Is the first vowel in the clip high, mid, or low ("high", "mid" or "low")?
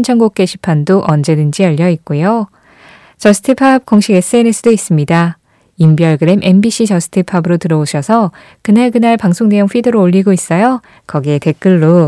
mid